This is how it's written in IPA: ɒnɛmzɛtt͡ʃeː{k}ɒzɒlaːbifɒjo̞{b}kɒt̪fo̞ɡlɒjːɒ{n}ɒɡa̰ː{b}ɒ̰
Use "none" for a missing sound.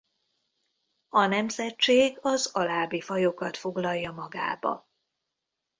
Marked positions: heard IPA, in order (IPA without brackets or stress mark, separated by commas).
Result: ɡ, none, m, b